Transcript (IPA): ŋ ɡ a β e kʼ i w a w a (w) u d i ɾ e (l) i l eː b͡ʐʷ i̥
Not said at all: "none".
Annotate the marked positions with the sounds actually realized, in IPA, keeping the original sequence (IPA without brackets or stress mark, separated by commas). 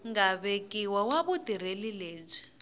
β, l